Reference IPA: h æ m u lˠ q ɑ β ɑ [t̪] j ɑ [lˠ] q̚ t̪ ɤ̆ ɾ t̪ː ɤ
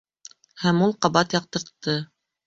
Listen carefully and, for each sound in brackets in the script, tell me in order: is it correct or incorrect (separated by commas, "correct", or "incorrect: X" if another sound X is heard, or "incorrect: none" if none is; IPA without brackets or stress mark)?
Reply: correct, incorrect: none